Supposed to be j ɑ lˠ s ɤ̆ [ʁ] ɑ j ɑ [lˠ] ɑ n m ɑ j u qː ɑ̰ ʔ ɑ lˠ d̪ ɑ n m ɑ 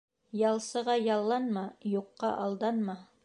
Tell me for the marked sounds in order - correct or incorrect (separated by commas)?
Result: correct, incorrect